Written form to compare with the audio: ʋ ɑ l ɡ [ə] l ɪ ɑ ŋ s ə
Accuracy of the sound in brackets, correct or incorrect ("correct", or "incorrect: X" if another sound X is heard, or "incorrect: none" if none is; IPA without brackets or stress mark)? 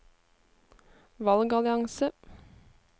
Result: incorrect: ɑ